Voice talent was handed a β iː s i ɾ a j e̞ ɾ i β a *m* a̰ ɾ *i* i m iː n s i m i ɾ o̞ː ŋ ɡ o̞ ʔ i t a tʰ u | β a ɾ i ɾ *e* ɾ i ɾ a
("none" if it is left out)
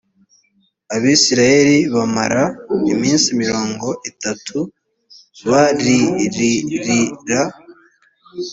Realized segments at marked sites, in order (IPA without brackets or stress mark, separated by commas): m, a, i